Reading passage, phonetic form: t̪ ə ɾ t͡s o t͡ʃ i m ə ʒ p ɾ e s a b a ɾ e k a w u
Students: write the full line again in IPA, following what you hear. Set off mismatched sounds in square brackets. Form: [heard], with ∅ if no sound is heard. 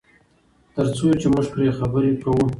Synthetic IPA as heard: t̪ ə ɾ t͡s o t͡ʃ [e] m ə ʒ p ɾ e [x] a b [ə] ɾ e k a w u